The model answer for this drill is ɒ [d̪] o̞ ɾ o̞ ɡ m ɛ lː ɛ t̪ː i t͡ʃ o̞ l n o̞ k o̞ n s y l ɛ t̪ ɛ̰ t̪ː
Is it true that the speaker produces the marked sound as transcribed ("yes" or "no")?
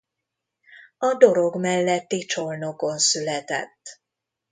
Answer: yes